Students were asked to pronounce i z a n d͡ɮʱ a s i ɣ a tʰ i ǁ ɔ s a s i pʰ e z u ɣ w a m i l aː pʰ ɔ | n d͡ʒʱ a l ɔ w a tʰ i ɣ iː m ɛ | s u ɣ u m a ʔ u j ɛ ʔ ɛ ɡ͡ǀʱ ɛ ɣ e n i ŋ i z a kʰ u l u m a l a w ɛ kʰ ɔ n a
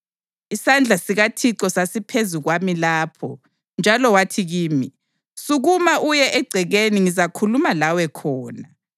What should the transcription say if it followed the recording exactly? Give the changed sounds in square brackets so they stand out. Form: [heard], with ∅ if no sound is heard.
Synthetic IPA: i [s] a n d͡ɮʱ a s i ɣ a tʰ i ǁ ɔ s a s i pʰ e z u ɣ w a m i l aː pʰ ɔ | n d͡ʒʱ a l ɔ w a tʰ i ɣ iː m [i] | s u ɣ u m a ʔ u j ɛ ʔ ɛ ɡ͡ǀʱ ɛ ɣ e n i ŋ i z a kʰ u l u m a l a w ɛ kʰ [ɔː] n a